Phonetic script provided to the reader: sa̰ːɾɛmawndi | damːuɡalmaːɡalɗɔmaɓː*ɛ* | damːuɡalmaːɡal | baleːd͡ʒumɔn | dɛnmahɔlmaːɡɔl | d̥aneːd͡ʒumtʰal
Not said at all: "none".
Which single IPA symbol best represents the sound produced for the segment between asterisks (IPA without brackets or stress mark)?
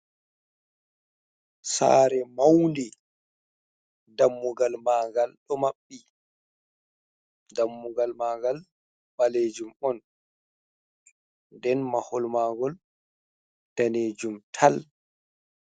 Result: i